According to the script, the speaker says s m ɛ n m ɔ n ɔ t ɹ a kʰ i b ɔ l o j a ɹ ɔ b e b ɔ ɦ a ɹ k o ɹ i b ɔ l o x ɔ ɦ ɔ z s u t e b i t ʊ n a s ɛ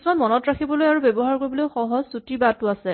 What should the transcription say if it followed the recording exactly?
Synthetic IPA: s m a n m ɔ n ɔ t ɹ a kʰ i b ɔ l o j a ɹ u b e b ɔ ɦ a ɹ k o ɹ i b ɔ l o x ɔ ɦ ɔ z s u t i b a t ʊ a s ɛ